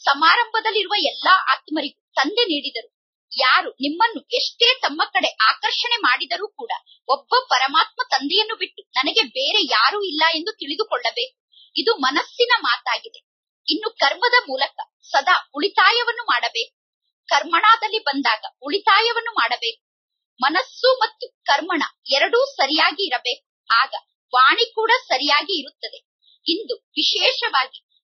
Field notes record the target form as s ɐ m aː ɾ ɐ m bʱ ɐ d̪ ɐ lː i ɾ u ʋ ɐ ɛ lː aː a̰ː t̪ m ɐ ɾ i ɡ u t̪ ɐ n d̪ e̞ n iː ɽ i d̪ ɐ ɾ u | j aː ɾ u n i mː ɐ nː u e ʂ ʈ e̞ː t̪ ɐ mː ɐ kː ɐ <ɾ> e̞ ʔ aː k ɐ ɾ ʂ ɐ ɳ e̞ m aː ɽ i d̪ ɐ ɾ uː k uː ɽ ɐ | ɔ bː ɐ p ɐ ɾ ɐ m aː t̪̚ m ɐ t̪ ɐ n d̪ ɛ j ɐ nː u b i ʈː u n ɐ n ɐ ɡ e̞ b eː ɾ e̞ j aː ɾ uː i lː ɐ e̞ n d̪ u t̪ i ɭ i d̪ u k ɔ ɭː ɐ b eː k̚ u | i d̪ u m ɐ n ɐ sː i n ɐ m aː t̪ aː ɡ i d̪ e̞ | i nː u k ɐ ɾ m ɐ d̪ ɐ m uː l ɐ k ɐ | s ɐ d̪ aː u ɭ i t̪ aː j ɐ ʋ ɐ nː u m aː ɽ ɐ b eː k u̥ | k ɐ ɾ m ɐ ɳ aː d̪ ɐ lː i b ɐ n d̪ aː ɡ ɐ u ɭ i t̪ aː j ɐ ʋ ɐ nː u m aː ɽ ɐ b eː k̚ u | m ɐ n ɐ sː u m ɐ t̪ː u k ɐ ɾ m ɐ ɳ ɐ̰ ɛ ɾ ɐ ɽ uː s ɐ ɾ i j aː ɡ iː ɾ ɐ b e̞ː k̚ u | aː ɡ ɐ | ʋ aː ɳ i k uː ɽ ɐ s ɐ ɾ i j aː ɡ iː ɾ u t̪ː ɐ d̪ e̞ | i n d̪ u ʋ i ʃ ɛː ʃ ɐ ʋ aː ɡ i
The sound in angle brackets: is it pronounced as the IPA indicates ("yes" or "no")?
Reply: no